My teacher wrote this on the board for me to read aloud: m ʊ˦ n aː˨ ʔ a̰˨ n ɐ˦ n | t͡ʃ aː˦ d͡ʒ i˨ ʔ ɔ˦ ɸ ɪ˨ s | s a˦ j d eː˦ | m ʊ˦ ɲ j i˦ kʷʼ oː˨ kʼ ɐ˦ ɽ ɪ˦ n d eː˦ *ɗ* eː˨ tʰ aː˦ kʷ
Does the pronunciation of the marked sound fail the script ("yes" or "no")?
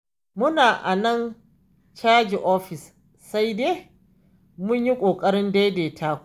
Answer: yes